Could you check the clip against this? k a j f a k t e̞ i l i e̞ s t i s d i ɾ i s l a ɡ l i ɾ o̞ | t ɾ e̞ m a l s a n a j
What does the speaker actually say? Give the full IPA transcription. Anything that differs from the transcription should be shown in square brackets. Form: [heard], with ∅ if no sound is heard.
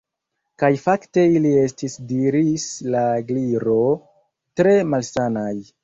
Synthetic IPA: k a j f a k t e̞ i l i e̞ s t i s d i ɾ i s l a ɡ l i ɾ o̞ | t ɾ e̞ m a l s a n a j